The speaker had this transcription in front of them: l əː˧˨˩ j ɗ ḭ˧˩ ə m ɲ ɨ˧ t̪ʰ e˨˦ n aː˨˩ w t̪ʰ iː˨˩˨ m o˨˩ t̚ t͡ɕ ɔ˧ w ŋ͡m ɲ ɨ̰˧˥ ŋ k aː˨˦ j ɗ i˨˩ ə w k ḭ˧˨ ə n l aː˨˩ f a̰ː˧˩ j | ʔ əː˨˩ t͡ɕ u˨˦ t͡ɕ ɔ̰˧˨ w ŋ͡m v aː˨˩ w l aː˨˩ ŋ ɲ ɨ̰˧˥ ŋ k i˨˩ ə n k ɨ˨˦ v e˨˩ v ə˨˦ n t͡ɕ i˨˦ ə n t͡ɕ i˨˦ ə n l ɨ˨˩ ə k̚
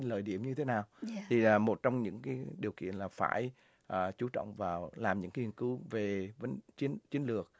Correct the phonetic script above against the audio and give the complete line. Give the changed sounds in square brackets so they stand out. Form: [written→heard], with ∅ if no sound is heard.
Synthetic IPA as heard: l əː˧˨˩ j ɗ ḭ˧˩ ə m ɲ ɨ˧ t̪ʰ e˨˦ n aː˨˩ w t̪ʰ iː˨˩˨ m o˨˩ t̚ t͡ɕ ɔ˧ w ŋ͡m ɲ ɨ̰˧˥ ŋ k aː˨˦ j ɗ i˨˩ ə w k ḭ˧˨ ə n l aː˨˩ f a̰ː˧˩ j | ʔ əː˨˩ t͡ɕ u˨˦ t͡ɕ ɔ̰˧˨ w ŋ͡m v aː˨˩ w l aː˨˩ [ŋ→m] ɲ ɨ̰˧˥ ŋ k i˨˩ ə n k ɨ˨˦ v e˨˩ v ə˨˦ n t͡ɕ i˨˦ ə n t͡ɕ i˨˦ ə n l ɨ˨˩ ə k̚

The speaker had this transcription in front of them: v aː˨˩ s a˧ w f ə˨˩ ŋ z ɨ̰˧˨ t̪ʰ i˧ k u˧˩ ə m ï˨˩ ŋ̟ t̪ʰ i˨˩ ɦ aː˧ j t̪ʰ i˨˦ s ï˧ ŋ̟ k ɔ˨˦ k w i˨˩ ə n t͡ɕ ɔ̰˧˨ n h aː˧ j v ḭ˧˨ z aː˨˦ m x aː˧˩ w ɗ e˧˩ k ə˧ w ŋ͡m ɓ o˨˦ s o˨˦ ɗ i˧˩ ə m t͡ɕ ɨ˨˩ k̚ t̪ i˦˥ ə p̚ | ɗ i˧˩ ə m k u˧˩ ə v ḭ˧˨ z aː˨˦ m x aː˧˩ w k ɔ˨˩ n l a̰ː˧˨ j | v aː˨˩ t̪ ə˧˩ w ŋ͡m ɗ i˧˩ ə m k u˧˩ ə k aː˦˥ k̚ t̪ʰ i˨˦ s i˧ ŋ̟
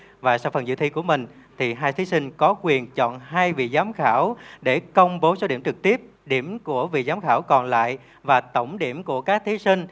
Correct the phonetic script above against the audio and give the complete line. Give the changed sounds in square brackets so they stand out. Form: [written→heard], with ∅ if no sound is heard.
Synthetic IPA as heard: v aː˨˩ s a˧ w f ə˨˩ [ŋ→n] z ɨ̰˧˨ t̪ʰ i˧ k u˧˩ ə m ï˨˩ ŋ̟ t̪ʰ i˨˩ ɦ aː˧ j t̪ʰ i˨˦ s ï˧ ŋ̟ k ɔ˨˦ k w i˨˩ ə n t͡ɕ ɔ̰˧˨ n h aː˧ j v ḭ˧˨ z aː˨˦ m x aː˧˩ w ɗ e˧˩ k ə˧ w ŋ͡m ɓ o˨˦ s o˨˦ ɗ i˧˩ ə m t͡ɕ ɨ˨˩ k̚ t̪ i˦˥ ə p̚ | ɗ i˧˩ ə m k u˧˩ ə v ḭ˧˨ z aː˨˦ m x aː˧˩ w k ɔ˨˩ n l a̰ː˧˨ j | v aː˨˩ t̪ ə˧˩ w ŋ͡m ɗ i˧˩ ə m k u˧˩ ə k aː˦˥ k̚ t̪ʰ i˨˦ s i˧ ŋ̟

